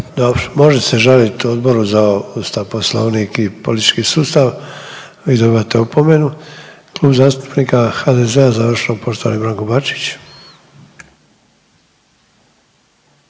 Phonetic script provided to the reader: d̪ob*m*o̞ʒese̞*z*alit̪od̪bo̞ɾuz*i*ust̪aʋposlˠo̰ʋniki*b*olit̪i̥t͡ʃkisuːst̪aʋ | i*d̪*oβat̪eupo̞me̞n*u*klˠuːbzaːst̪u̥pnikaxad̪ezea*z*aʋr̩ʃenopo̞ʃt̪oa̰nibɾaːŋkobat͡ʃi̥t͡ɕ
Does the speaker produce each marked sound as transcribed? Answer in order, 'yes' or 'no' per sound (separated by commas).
yes, no, no, no, yes, yes, yes